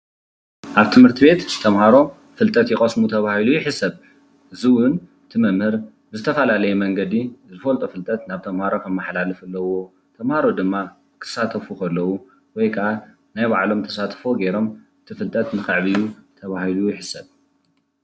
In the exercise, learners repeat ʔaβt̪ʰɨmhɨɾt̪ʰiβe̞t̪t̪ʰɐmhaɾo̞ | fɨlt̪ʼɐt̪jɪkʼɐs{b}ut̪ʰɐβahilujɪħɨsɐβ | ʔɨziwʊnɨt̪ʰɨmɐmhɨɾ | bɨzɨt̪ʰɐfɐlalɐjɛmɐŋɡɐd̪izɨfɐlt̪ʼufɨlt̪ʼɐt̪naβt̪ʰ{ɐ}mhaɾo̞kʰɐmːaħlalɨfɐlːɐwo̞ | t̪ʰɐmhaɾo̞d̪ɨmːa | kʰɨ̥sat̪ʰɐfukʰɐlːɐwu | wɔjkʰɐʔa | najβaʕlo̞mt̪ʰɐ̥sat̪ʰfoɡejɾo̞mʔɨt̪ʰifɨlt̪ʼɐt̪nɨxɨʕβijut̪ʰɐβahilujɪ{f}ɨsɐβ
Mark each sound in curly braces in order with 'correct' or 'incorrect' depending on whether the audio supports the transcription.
incorrect: m, correct, incorrect: ħ

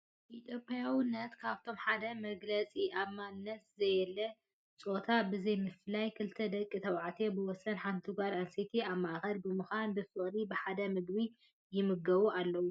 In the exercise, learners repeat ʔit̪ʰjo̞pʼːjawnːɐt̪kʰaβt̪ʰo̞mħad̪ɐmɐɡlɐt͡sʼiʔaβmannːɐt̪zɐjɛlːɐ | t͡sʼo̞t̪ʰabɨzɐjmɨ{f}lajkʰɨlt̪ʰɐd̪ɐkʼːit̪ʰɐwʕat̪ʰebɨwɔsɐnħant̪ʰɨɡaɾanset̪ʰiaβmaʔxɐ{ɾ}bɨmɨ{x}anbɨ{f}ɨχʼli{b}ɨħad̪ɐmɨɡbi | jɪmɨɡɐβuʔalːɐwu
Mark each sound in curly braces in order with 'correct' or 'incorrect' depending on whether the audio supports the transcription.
correct, incorrect: l, correct, correct, correct

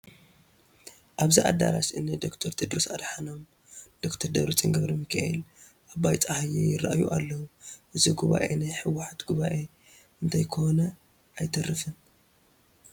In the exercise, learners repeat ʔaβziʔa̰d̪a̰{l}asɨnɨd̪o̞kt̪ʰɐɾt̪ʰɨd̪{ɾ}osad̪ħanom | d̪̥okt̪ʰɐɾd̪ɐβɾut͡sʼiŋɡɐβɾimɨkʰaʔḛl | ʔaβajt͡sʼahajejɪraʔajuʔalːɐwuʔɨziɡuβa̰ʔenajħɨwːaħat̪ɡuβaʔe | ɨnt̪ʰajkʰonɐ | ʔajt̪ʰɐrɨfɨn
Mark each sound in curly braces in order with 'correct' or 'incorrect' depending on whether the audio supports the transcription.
incorrect: ɾ, correct

